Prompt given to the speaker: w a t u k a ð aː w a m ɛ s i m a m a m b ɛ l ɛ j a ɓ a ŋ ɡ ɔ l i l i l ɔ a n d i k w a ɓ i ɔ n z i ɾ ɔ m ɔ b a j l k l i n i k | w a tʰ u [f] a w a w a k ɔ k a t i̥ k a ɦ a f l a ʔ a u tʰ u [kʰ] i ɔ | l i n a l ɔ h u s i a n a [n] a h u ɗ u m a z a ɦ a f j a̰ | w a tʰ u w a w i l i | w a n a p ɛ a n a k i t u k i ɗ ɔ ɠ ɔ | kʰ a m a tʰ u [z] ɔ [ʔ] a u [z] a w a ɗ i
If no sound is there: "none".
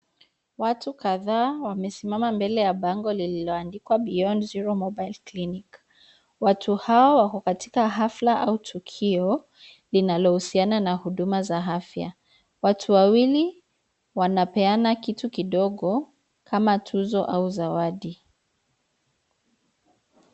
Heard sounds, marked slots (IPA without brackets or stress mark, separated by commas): h, kʰ, n, z, ʔ, z